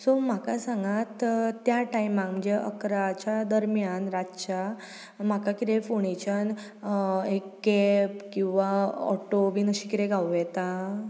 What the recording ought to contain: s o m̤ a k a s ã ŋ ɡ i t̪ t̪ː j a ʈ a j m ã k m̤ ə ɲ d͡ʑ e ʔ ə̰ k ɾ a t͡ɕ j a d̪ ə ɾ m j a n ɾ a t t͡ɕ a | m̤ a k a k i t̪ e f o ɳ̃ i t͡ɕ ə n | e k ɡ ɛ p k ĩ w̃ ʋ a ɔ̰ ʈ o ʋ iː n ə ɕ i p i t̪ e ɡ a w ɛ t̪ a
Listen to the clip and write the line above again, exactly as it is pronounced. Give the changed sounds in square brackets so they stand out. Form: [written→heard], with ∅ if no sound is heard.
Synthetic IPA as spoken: s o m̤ a k a s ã ŋ ɡ [i→a] t̪ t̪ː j a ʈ a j m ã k m̤ ə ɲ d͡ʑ e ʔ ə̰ k ɾ a t͡ɕ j a d̪ ə ɾ m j a n ɾ a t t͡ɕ a | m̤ a k a k i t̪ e f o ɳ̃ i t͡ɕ ə n | e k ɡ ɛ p k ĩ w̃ ʋ a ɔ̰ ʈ o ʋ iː n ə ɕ i [p→k] i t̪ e ɡ a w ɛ t̪ a